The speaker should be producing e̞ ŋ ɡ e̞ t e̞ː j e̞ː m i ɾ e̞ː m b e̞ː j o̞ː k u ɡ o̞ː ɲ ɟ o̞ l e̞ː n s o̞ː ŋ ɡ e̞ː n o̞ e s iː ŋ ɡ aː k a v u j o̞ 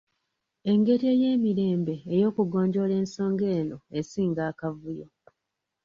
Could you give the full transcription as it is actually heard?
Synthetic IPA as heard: e̞ ŋ ɡ e̞ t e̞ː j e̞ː m i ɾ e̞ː m b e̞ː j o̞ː k u ɡ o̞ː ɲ ɟ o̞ l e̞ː n s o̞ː ŋ ɡ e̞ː n o̞ e s iː ŋ ɡ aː k a v u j o̞